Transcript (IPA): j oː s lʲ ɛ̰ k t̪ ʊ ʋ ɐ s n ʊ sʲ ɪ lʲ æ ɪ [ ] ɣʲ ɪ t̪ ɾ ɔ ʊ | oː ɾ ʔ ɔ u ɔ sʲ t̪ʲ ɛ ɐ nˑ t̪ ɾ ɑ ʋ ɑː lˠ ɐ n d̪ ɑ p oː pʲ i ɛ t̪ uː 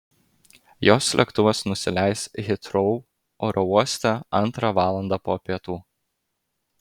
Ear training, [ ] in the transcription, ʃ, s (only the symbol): s